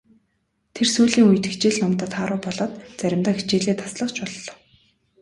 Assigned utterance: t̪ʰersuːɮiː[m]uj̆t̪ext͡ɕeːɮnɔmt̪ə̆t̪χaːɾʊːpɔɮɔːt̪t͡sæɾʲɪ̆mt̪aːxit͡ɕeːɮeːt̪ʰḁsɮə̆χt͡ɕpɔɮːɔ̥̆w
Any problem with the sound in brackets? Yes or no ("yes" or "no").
yes